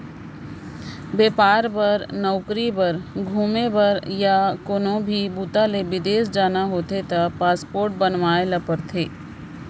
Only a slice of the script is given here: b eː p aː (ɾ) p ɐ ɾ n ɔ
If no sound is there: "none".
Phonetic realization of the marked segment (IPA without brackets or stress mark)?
ɾ